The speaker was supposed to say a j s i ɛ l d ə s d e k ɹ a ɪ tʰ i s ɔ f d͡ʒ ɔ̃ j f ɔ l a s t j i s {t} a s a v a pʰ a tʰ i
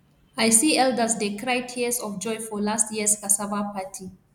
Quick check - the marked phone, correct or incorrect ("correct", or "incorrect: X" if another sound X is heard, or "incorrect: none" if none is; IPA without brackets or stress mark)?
incorrect: k